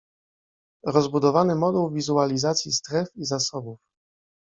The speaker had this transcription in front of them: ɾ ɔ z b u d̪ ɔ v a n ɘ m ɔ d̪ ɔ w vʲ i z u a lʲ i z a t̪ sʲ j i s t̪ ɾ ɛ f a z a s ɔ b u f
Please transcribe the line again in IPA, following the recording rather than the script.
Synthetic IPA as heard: ɾ ɔ z b u d̪ ɔ v a n ɘ m ɔ d̪ u w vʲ i z u a lʲ i z a t̪ sʲ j i s t̪ ɾ ɛ f i z a s ɔ b u f